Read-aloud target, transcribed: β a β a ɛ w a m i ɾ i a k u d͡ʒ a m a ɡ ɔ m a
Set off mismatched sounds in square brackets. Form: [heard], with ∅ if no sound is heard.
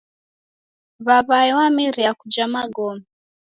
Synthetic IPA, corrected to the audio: β a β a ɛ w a m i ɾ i a k u d͡ʒ a m a ɡ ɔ m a